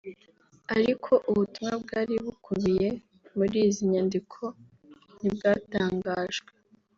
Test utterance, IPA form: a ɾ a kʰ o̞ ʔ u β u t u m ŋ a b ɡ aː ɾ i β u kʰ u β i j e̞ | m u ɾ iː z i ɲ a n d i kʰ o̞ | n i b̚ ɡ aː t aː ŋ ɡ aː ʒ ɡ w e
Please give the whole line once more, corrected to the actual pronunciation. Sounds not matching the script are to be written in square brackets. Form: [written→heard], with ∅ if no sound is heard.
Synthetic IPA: a ɾ [a→i] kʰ o̞ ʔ u β u t u m ŋ a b ɡ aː ɾ i β u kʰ u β i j e̞ | m u ɾ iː z i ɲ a n d i kʰ o̞ | n i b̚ ɡ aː t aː ŋ ɡ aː ʒ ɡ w e